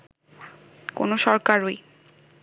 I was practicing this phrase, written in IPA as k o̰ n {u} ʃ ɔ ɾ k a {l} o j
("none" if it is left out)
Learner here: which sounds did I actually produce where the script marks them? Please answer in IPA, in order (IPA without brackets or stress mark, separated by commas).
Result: o, ɾ